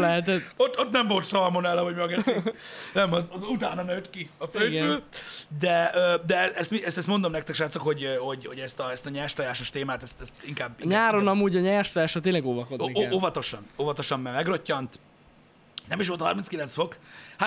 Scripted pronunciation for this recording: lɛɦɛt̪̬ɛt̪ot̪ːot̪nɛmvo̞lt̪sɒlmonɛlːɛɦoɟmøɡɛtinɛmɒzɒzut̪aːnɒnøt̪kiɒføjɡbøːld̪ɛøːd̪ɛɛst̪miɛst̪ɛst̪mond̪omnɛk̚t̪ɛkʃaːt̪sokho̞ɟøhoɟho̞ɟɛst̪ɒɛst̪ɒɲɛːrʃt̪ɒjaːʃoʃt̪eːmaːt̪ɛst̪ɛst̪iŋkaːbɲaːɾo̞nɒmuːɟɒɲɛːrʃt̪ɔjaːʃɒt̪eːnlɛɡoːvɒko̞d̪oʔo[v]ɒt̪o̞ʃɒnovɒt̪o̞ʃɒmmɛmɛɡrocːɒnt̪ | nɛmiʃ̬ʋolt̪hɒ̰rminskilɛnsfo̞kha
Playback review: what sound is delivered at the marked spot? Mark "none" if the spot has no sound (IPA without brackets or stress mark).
v